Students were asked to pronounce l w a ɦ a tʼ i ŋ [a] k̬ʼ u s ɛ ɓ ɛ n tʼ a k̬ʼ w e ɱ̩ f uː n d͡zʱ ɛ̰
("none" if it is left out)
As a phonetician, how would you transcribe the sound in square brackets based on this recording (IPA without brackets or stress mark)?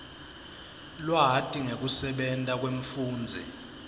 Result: e